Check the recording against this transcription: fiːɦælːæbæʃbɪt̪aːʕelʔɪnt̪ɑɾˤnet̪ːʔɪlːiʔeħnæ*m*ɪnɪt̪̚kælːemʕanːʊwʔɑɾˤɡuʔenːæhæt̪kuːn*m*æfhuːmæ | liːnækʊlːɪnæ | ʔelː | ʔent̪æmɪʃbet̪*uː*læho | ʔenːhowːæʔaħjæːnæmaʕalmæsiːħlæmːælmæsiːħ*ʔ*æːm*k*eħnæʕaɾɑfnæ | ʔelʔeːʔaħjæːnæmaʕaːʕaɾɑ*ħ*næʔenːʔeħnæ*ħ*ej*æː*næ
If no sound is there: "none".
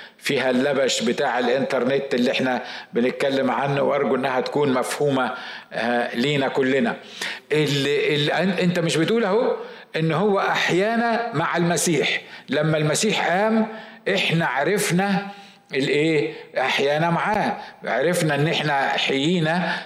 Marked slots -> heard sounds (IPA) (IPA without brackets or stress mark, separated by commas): b, m, uː, ʔ, ʔ, f, ħ, iː